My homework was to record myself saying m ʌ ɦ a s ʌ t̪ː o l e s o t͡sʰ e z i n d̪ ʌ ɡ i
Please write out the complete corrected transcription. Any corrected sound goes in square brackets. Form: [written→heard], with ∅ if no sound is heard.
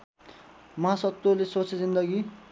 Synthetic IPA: m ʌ ɦ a s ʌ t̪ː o l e s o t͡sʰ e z i n d̪ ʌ ɡ i